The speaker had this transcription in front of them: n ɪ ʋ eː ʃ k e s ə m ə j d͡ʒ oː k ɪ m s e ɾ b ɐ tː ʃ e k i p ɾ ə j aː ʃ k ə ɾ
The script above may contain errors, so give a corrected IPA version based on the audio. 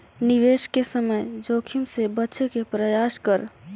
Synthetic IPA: n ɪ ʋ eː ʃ k e s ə m ə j d͡ʒ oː kʰ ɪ m s e b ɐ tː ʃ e k e p ɾ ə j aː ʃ k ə ɾ